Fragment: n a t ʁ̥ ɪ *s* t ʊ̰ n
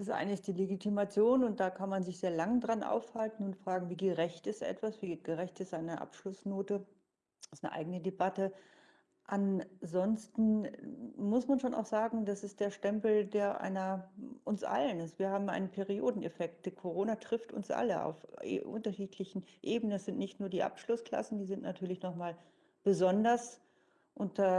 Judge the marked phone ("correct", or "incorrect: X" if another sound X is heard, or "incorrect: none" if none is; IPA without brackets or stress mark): incorrect: f